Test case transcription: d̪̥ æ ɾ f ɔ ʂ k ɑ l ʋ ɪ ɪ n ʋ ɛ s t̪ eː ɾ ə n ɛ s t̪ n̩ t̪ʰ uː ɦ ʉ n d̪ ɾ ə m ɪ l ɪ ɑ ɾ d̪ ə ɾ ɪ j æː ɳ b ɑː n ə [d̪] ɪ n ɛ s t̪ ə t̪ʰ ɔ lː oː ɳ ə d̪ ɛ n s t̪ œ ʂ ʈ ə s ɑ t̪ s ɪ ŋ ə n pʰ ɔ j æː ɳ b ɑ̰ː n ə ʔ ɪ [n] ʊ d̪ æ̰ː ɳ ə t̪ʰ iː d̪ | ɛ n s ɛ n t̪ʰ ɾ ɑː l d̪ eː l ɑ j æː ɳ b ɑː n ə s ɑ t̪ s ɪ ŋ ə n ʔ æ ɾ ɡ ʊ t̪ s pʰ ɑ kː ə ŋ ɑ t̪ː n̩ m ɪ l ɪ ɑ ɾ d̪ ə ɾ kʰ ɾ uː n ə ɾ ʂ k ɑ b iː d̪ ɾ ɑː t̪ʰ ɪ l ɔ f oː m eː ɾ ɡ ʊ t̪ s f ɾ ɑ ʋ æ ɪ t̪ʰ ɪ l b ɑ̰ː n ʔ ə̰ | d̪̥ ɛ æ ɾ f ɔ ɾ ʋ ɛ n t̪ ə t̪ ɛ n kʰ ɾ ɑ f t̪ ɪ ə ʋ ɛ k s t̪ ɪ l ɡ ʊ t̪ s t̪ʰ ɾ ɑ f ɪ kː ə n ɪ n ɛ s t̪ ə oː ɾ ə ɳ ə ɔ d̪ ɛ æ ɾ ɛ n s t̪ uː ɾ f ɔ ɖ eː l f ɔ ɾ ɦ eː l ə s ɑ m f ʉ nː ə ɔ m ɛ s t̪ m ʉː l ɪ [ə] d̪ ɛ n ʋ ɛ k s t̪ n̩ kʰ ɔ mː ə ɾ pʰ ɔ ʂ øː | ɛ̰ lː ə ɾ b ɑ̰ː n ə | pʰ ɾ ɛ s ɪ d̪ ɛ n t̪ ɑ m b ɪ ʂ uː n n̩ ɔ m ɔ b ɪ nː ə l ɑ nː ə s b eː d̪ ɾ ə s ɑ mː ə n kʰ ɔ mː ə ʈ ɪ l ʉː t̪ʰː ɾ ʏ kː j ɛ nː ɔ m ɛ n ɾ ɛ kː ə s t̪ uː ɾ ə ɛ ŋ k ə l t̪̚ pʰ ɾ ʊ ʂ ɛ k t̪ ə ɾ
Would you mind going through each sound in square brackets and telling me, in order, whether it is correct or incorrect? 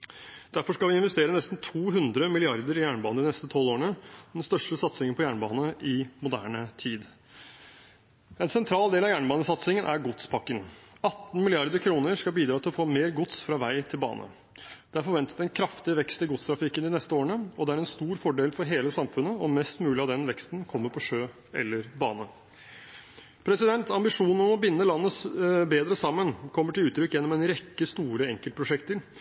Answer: correct, incorrect: m, incorrect: ɑ

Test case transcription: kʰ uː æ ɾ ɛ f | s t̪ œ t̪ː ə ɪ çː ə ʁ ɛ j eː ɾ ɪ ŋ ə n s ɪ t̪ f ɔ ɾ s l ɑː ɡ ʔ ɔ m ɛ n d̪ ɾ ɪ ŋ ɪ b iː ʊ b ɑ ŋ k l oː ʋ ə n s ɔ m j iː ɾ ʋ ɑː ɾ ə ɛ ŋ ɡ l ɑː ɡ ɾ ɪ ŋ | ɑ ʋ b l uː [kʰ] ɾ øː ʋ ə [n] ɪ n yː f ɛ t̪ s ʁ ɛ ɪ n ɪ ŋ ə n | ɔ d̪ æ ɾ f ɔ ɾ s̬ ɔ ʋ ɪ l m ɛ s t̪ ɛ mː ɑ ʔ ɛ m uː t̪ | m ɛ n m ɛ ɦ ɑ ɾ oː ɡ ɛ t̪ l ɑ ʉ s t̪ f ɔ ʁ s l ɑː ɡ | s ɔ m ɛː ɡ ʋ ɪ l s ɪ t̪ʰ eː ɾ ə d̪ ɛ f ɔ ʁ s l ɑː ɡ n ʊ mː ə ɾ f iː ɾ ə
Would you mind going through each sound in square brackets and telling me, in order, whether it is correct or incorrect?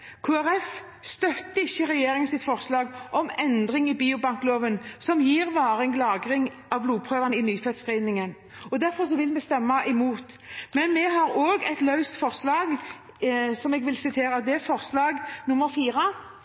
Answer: incorrect: pʰ, correct

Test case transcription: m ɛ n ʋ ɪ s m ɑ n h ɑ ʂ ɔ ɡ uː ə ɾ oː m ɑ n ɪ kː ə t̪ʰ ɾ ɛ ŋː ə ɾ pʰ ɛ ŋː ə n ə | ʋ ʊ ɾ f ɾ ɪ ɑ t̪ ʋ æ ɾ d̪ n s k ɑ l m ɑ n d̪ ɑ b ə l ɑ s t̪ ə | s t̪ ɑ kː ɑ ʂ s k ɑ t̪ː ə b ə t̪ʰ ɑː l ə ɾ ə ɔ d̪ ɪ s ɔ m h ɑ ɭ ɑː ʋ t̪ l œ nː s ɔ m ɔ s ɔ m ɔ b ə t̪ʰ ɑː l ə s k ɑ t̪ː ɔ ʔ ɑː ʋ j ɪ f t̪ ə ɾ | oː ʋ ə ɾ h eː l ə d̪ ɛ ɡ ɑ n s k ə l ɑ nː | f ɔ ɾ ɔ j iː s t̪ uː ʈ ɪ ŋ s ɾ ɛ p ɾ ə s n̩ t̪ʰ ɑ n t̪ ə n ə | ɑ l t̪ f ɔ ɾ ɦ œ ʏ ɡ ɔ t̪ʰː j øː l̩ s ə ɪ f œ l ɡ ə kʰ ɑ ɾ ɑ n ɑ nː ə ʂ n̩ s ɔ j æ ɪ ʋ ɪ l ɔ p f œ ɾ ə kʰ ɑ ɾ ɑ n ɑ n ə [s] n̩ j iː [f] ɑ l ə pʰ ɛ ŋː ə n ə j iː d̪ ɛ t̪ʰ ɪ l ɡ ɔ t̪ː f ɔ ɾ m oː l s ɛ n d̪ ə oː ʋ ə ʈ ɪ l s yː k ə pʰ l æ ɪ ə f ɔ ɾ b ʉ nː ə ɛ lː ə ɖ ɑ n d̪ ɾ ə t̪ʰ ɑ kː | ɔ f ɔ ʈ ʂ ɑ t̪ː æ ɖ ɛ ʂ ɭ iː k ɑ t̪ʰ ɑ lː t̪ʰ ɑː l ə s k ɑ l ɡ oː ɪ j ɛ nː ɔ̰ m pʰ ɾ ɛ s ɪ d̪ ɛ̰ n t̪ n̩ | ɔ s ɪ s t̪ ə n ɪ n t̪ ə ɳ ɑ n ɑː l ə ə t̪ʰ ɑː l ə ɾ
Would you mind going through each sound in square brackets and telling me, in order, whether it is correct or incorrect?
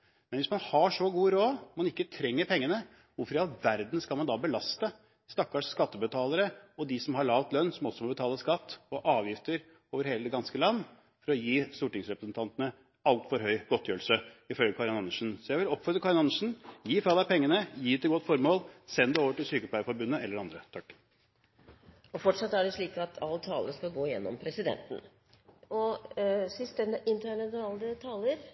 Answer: incorrect: ʂ, correct

